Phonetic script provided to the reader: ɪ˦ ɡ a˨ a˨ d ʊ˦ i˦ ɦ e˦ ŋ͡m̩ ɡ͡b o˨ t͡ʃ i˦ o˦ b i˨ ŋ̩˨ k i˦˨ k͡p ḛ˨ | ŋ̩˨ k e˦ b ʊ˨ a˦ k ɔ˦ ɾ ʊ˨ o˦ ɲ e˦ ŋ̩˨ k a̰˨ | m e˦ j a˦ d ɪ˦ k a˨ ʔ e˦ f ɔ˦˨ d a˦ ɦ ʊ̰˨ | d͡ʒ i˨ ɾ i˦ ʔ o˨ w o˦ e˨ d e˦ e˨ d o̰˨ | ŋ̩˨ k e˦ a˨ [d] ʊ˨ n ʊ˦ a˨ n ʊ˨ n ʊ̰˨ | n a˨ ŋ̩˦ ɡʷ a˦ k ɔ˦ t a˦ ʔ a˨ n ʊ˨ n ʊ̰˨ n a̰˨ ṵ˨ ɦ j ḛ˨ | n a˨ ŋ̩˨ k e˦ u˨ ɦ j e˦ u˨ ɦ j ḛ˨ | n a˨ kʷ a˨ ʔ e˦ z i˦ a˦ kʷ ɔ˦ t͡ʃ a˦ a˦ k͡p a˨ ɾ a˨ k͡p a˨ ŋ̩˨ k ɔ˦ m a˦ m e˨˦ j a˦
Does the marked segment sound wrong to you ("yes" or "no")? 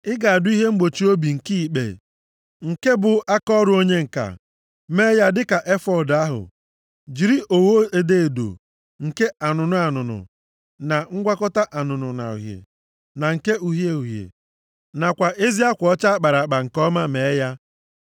yes